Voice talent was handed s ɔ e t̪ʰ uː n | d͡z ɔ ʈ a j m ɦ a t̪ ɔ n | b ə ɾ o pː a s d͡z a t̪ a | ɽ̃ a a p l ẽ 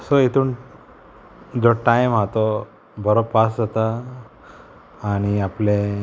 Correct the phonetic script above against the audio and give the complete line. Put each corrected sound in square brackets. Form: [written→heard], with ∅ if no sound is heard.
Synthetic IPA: s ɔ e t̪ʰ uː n | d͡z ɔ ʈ a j m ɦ a t̪ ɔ [n→∅] | b ə ɾ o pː a s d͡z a t̪ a | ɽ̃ [a→i] a p l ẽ